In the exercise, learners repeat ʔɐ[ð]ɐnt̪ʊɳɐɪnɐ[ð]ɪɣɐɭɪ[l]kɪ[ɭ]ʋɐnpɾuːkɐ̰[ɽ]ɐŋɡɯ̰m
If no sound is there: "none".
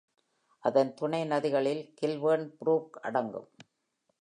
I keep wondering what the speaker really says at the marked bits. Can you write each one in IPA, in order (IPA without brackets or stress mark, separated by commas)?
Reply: ð, ð, l, l, ɽ